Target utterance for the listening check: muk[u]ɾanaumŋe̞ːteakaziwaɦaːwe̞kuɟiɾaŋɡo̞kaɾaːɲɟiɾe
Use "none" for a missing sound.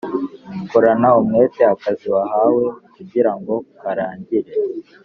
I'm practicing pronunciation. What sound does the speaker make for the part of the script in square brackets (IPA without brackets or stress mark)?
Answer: o